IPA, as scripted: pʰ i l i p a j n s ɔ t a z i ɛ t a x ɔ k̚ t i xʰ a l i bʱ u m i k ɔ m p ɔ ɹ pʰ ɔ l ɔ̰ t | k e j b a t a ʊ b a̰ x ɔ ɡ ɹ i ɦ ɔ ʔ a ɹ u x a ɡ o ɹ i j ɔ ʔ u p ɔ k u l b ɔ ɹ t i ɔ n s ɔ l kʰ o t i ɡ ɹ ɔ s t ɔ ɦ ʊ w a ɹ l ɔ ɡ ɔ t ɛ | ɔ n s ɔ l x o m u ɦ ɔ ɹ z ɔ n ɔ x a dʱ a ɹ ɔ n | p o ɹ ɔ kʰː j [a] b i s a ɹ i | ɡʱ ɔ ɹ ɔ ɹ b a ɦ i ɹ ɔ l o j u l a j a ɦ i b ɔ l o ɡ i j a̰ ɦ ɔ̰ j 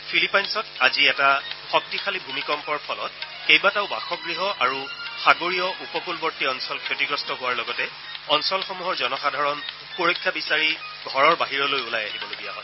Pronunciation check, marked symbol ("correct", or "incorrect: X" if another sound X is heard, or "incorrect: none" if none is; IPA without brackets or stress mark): correct